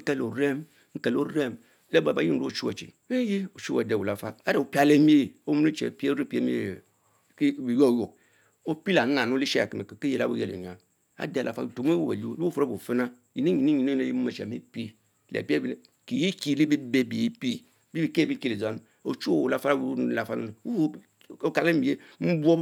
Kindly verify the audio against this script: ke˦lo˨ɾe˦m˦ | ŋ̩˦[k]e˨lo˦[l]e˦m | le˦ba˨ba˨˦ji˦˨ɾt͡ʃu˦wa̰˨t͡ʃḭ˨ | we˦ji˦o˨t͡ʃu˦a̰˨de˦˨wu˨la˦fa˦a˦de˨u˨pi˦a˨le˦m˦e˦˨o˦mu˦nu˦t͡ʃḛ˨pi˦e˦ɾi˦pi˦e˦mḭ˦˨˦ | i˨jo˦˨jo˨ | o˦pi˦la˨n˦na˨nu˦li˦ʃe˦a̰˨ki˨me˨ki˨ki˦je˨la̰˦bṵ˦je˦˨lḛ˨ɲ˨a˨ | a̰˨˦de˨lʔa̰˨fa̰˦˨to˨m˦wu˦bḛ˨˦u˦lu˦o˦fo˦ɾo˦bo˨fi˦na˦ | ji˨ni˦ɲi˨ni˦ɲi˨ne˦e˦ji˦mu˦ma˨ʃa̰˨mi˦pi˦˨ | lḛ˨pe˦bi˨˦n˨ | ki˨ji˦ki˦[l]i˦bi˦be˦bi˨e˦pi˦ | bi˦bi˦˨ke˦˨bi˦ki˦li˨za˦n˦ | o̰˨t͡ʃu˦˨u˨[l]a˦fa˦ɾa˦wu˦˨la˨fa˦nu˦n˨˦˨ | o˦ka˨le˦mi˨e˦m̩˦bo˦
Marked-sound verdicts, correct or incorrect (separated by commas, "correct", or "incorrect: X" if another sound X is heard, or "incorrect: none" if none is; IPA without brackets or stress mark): correct, incorrect: ɾ, correct, correct